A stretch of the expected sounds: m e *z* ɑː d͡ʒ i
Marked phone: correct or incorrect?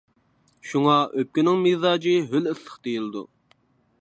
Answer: correct